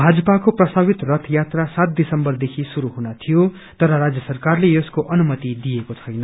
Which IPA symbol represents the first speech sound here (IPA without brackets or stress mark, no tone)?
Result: bʱ